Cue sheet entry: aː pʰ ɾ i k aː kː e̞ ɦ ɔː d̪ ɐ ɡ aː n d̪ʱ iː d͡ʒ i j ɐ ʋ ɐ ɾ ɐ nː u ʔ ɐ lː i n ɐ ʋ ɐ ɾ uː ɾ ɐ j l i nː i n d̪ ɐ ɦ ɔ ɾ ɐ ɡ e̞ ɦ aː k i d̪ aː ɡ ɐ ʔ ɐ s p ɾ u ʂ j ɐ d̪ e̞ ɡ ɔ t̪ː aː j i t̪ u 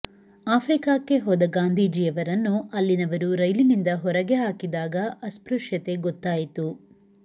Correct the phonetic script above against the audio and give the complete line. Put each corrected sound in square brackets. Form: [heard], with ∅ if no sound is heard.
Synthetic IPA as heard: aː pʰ ɾ i k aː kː e̞ ɦ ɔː d̪ ɐ ɡ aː n d̪ʱ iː d͡ʒ i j ɐ ʋ ɐ ɾ ɐ nː u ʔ ɐ lː i n ɐ ʋ ɐ ɾ [u] ɾ ɐ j l i [n] i n d̪ ɐ ɦ ɔ ɾ ɐ ɡ e̞ ɦ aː k i d̪ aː ɡ ɐ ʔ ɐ s p ɾ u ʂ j ɐ [t̪] e̞ ɡ ɔ t̪ː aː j i t̪ u

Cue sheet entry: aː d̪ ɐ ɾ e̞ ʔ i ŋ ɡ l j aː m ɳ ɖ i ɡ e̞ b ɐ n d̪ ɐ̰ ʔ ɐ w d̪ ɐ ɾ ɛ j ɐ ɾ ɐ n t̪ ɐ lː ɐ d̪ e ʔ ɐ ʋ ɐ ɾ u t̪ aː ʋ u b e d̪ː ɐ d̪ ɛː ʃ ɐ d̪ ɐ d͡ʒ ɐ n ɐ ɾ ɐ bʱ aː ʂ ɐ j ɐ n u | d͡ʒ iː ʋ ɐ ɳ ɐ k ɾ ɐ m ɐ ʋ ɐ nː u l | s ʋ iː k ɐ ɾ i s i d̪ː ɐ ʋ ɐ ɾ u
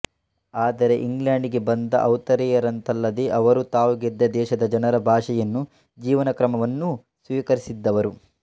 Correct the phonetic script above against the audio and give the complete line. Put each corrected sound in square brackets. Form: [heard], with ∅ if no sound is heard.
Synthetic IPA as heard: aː d̪ ɐ ɾ e̞ ʔ i ŋ ɡ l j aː [∅] ɳ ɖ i ɡ e̞ b ɐ n d̪ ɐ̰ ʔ ɐ w [t̪] ɐ ɾ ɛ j ɐ ɾ ɐ n t̪ ɐ lː ɐ d̪ e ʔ ɐ ʋ ɐ ɾ u t̪ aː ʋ u [ɡ] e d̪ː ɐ d̪ ɛː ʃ ɐ d̪ ɐ d͡ʒ ɐ n ɐ ɾ ɐ bʱ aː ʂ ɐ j ɐ [nː] u | d͡ʒ iː ʋ ɐ [n] ɐ k ɾ ɐ m ɐ ʋ ɐ nː u [∅] | s ʋ iː k ɐ ɾ i s i d̪ː ɐ ʋ ɐ ɾ u

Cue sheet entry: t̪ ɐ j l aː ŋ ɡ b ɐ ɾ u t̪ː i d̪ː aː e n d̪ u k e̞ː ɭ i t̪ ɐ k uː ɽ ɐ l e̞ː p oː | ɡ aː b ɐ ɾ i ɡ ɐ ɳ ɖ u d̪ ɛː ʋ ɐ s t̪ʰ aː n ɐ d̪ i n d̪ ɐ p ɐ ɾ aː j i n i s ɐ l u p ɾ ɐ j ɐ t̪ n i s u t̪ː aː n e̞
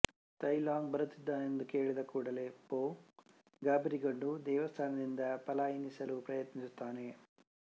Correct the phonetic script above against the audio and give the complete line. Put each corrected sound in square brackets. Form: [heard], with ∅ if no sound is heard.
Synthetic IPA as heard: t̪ ɐ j l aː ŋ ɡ b ɐ ɾ u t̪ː i d̪ː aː e n d̪ u k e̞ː ɭ i [d̪] ɐ k uː ɽ ɐ l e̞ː p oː | ɡ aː b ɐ ɾ i ɡ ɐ ɳ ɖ u d̪ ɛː ʋ ɐ s t̪ʰ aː n ɐ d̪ i n d̪ ɐ p ɐ [l] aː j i n i s ɐ l u p ɾ ɐ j ɐ t̪ n i s u t̪ː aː n e̞

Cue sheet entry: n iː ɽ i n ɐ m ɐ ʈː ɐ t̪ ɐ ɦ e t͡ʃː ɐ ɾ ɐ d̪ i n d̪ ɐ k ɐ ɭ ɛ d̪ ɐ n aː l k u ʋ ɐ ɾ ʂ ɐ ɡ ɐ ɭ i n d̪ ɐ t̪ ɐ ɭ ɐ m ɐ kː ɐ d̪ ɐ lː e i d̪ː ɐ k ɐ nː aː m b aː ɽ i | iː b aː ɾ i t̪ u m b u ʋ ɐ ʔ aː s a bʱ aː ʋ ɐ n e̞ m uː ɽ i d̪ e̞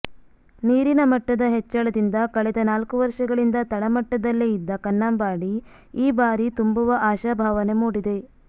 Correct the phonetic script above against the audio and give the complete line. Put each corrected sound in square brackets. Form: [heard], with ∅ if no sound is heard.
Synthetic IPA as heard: n iː [ɾ] i n ɐ m ɐ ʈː ɐ [d̪] ɐ ɦ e t͡ʃː ɐ [ɭ] ɐ d̪ i n d̪ ɐ k ɐ ɭ ɛ d̪ ɐ n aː l k u ʋ ɐ ɾ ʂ ɐ ɡ ɐ ɭ i n d̪ ɐ t̪ ɐ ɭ ɐ m ɐ [ʈː] ɐ d̪ ɐ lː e i d̪ː ɐ k ɐ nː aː m b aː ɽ i | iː b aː ɾ i t̪ u m b u ʋ ɐ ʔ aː [ʃ] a bʱ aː ʋ ɐ n e̞ m uː ɽ i d̪ e̞

